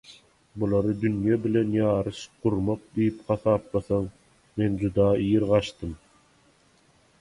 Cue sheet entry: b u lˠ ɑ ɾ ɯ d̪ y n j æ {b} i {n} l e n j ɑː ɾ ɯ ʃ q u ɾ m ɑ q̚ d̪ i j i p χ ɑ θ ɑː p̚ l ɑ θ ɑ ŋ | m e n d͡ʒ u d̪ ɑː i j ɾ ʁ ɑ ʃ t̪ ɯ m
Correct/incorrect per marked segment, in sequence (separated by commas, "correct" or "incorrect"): correct, incorrect